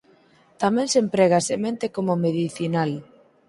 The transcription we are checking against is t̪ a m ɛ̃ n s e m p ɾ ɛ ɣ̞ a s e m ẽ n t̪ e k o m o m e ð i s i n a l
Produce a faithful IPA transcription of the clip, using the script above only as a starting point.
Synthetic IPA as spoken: t̪ a m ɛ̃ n s e m p ɾ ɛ ɣ̞ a s e m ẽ n t̪ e k o m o m e ð i θ i n a l

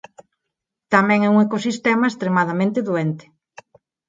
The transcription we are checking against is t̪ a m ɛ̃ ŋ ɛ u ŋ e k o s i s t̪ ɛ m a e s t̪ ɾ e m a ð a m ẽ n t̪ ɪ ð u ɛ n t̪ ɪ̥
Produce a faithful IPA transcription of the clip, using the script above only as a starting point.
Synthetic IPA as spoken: t̪ a m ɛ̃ ŋ ɛ u ŋ e k o s i s t̪ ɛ m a e s t̪ ɾ e m a ð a m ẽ n t̪ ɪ ð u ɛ n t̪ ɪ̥

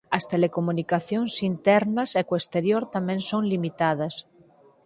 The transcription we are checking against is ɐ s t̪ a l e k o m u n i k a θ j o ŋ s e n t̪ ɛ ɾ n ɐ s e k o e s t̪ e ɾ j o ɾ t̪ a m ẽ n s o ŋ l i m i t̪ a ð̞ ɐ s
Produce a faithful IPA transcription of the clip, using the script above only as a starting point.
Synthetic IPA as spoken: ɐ s t̪ e l e k o m u n i k a θ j o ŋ s i n t̪ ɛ ɾ n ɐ s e k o e s t̪ e ɾ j o ɾ t̪ a m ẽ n s o ŋ l i m i t̪ a ð̞ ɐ s

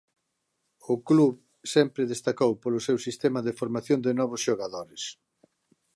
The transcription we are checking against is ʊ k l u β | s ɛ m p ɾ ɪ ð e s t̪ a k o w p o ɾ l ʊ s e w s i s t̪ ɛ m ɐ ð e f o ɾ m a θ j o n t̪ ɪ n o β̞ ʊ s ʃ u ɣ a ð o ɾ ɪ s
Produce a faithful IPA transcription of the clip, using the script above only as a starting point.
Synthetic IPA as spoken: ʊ k l u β | s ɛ m p ɾ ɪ ð e s t̪ a k o w p o l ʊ s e w s i s t̪ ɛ m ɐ ð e f o ɾ m a θ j o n d̪ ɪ n ɔ β̞ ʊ s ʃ o ɣ a ð o ɾ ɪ s

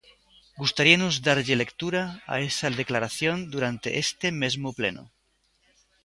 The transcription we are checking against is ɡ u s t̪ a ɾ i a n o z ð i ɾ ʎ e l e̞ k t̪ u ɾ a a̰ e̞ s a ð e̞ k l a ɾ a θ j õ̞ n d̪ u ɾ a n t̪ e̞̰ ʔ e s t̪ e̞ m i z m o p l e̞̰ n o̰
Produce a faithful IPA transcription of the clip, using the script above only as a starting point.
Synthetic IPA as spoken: ɡ u s t̪ a ɾ i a n o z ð a ɾ ʎ e l e̞ k t̪ u ɾ a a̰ e̞ s a ð e̞ k l a ɾ a θ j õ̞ n d̪ u ɾ a n t̪ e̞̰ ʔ e s t̪ e̞ m e z m o p l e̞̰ n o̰

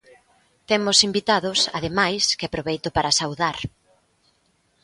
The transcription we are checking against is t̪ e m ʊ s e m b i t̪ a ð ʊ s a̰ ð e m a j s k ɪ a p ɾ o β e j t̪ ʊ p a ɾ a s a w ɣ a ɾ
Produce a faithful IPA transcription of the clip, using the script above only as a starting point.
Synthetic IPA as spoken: t̪ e m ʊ s i m b i t̪ a ð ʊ s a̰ ð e m a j s k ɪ a p ɾ o β e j t̪ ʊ p a ɾ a s a w ð a ɾ

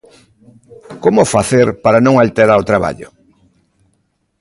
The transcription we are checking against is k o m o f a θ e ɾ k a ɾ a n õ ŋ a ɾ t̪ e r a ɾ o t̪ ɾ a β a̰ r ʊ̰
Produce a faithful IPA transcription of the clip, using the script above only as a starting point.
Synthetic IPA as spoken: k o m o f a θ e ɾ p a ɾ a n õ ŋ a l t̪ e ɾ a ɾ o t̪ ɾ a β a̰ ʎ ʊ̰

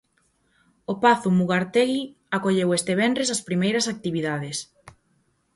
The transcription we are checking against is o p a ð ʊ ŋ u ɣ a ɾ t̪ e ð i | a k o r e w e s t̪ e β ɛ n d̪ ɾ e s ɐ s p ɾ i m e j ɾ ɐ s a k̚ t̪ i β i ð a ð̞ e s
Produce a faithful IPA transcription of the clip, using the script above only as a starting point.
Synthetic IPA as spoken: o p a θ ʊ m u ɣ a ɾ t̪ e ɣ i | a k o ʎ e w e s t̪ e β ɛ n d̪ ɾ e s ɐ s p ɾ i m e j ɾ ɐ s a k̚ t̪ i β i ð a ð̞ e s

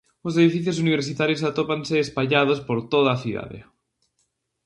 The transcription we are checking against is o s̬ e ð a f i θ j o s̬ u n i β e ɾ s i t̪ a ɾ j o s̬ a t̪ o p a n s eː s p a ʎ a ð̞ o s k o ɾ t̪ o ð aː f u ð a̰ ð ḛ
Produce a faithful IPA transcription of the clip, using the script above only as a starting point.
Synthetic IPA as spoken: o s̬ e ð i f i θ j o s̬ u n i β e ɾ s i t̪ a ɾ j o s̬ a t̪ o p a n s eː s p a ʎ a ð̞ o s p o ɾ t̪ o ð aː θ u ð a̰ ð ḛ

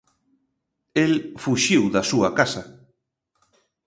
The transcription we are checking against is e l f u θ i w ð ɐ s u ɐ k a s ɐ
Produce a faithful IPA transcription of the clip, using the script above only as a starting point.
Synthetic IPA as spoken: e l f u ʃ i w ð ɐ s u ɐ k a s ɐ

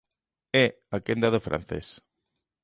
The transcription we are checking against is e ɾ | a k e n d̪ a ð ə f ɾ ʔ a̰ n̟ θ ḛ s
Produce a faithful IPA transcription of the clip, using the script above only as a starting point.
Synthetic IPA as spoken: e | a k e n d̪ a ð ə f ɾ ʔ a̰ n̟ θ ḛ s

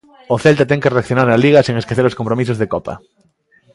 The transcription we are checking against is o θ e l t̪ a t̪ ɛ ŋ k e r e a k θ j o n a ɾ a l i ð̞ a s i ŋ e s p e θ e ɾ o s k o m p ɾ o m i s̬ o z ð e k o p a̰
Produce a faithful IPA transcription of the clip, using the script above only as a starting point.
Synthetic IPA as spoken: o θ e l t̪ a t̪ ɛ ŋ k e r e a k θ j o n a ɾ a l i ɣ̞ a s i ŋ e s k e θ e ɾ o s k o m p ɾ o m i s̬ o z ð e k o p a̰

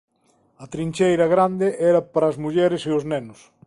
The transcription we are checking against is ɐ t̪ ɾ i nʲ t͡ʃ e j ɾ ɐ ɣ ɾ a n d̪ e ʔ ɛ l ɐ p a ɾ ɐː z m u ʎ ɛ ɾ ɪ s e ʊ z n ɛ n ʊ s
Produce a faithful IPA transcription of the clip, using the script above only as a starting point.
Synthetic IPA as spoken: ɐ t̪ ɾ i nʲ t͡ʃ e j ɾ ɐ ɣ ɾ a n d̪ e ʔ ɛ ɾ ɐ p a ɾ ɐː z m u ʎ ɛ ɾ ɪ s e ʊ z n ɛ n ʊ s

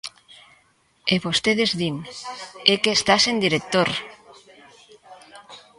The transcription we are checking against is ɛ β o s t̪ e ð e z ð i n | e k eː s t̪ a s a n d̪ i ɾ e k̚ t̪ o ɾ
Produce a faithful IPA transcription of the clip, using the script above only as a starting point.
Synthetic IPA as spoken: e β o s t̪ e ð e z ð i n | e k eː s t̪ a s e n d̪ i ɾ e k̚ t̪ o ɾ

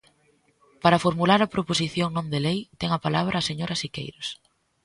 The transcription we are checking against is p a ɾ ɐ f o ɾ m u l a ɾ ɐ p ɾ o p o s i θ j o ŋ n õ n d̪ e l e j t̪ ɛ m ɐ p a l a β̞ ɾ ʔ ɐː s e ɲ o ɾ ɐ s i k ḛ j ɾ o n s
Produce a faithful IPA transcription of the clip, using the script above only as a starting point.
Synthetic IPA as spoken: p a ɾ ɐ f o ɾ m u l a ɾ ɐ p ɾ o p o s i θ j o ŋ n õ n d̪ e l e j t̪ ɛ ŋ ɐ p a l a β̞ ɾ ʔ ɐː s e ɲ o ɾ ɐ s i k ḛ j ɾ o s

